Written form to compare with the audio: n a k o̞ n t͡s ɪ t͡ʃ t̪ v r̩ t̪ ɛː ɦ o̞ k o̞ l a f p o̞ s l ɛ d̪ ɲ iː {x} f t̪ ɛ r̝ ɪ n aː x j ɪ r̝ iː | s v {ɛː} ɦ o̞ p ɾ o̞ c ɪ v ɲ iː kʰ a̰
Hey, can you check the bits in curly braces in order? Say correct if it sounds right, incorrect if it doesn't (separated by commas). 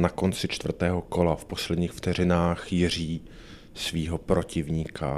correct, incorrect